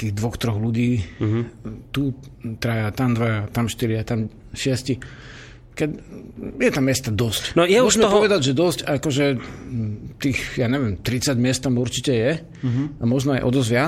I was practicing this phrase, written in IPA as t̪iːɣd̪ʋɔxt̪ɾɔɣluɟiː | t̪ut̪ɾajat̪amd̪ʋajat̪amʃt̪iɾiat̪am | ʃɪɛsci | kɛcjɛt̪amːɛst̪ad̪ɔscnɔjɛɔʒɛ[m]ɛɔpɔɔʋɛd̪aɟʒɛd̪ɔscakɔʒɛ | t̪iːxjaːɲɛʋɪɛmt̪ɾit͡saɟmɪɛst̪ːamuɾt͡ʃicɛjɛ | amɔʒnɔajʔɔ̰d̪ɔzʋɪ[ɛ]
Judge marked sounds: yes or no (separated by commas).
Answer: yes, no